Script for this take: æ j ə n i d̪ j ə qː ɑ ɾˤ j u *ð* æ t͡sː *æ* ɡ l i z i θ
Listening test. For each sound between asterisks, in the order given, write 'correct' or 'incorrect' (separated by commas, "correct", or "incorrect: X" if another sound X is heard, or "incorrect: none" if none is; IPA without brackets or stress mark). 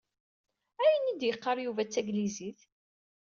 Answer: incorrect: v, correct